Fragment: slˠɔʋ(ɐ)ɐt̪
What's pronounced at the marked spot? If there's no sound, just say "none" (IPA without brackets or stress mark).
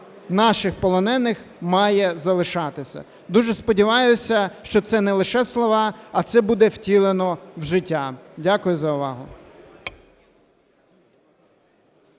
ɑ